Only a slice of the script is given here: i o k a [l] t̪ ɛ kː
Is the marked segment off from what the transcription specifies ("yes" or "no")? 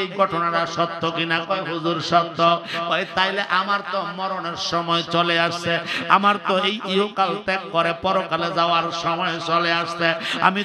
no